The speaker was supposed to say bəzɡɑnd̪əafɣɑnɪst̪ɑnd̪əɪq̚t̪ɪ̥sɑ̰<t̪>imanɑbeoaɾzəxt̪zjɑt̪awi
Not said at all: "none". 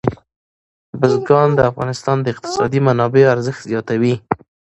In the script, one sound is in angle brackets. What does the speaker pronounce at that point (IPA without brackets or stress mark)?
d̪